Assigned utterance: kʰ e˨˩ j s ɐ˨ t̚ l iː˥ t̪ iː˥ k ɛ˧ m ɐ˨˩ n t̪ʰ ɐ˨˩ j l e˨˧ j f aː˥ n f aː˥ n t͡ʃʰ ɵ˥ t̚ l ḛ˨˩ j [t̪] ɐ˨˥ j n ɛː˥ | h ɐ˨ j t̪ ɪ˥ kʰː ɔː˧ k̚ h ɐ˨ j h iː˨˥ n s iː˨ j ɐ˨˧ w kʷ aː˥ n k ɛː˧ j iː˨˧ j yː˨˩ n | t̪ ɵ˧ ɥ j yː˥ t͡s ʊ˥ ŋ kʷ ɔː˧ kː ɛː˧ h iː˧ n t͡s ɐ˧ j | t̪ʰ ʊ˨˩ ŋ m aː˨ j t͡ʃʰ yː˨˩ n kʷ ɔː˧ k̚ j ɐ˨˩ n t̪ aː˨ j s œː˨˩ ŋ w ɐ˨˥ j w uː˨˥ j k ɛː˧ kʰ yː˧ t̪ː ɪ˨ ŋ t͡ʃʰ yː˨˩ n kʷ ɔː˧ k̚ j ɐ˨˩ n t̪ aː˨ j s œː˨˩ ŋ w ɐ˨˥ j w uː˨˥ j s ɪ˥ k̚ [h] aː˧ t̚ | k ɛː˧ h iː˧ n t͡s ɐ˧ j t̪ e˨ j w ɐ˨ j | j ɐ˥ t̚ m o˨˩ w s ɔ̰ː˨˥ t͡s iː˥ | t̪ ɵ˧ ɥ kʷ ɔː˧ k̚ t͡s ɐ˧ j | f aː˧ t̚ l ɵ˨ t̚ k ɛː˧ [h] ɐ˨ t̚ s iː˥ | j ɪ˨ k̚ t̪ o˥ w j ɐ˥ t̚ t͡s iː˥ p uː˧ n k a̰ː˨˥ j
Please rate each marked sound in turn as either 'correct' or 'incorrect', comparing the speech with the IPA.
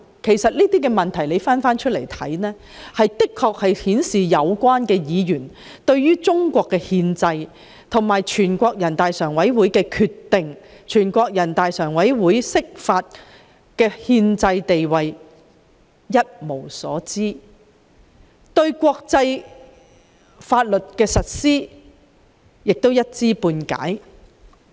incorrect: t̪ʰ, incorrect: f, incorrect: s

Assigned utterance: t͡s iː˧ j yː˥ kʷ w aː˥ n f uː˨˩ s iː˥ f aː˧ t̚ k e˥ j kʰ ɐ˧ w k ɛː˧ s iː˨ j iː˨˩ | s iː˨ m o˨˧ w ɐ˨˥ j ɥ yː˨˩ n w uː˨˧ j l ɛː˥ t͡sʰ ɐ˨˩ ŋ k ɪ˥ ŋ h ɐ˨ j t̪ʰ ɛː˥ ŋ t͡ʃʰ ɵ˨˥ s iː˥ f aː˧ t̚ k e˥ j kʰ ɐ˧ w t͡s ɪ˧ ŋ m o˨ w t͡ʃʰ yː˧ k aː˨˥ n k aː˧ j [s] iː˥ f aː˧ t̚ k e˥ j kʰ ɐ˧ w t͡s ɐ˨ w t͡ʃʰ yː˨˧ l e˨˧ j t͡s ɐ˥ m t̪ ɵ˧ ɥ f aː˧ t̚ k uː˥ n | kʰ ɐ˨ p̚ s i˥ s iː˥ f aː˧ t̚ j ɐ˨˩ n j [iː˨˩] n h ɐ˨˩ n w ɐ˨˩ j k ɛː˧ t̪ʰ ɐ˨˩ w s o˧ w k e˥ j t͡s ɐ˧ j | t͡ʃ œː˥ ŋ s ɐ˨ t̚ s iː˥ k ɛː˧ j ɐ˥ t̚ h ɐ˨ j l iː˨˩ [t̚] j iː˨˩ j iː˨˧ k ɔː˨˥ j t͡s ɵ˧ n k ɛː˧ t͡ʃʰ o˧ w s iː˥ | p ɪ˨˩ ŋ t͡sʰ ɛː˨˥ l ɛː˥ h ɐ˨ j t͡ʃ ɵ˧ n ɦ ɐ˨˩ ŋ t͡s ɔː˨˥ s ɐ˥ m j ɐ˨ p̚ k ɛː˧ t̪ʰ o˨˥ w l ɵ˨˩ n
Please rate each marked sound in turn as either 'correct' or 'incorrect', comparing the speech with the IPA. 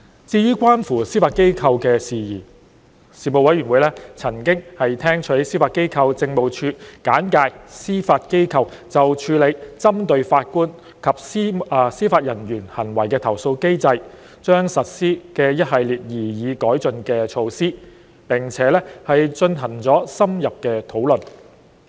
correct, incorrect: yː˨˩, correct

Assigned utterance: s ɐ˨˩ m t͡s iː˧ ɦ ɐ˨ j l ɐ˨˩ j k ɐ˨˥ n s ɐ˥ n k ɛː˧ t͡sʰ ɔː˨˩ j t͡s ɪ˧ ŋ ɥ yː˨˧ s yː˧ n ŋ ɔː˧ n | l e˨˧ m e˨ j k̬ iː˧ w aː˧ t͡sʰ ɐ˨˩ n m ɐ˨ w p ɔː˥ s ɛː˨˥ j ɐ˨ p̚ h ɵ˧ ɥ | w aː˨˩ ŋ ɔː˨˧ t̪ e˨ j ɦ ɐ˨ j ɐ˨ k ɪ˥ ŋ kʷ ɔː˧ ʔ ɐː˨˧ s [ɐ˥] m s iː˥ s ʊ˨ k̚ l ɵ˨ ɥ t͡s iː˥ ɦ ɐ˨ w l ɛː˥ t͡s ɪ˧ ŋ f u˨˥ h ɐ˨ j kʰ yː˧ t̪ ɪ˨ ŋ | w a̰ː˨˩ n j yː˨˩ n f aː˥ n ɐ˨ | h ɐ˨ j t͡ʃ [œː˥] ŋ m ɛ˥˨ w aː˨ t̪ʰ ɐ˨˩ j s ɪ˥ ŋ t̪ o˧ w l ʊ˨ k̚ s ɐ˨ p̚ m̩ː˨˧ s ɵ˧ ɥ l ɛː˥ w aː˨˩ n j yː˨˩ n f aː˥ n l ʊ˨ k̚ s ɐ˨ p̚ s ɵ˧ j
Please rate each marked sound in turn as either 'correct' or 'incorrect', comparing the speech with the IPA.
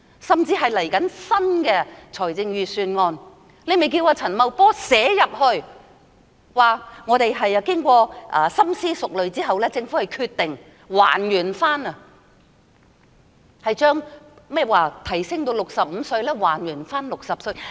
correct, correct

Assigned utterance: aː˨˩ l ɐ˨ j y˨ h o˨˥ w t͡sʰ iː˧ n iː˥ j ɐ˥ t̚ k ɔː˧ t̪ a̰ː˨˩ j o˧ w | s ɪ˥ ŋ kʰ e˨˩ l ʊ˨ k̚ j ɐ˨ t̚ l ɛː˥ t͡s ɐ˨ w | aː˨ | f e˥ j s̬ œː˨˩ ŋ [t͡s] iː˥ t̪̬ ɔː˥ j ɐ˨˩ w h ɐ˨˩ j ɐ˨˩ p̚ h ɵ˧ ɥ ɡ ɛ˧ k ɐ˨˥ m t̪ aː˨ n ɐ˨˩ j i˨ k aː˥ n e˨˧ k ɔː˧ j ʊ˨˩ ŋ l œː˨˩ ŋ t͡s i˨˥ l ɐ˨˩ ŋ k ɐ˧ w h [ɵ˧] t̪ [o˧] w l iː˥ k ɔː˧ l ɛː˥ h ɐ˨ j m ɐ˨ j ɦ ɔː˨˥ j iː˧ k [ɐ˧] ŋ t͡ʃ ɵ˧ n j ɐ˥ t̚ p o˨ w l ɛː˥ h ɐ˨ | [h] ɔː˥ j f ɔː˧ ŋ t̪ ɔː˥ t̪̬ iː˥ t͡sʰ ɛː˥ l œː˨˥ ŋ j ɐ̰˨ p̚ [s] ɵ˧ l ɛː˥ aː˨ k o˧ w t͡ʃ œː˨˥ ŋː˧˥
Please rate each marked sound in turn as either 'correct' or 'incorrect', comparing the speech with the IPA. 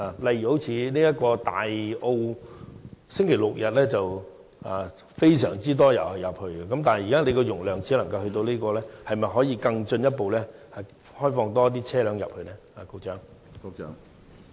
correct, correct, correct, correct, correct, incorrect: h

